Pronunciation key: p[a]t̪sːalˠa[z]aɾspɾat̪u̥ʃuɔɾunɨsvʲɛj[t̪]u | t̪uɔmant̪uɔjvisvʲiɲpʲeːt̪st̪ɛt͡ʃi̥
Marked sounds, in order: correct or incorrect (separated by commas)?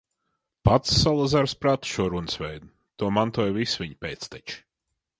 correct, correct, incorrect